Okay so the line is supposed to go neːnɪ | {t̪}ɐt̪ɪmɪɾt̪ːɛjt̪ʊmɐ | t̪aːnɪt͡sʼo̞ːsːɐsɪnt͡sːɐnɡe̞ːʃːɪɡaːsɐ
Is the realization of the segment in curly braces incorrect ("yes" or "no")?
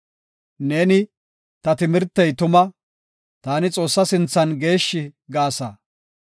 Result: no